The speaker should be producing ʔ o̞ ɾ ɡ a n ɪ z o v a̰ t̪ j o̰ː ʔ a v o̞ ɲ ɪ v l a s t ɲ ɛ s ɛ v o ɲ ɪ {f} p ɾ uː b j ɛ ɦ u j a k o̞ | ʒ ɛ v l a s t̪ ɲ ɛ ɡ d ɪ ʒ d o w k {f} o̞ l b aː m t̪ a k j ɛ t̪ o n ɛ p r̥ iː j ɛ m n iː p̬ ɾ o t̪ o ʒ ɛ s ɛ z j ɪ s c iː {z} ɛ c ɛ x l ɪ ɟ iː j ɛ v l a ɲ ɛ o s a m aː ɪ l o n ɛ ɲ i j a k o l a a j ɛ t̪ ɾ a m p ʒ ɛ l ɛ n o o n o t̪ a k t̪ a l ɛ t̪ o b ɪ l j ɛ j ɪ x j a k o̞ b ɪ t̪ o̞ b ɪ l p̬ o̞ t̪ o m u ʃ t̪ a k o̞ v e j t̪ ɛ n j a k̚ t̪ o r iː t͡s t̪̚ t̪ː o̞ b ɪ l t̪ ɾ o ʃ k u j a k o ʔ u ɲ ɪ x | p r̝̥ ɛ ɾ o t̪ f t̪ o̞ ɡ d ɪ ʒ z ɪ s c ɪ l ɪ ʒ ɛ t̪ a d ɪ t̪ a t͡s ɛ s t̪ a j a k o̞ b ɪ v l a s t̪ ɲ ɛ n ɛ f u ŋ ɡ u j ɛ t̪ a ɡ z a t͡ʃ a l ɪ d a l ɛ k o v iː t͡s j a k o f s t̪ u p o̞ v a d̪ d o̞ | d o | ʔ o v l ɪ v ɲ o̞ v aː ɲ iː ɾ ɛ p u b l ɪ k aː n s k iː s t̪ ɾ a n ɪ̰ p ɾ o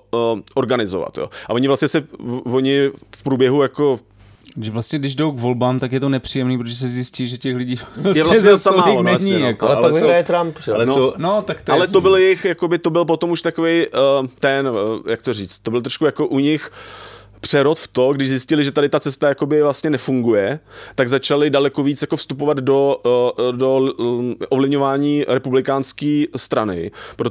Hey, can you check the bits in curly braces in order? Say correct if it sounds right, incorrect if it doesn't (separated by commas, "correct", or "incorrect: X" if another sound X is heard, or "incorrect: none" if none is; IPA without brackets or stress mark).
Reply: correct, incorrect: v, incorrect: ʒ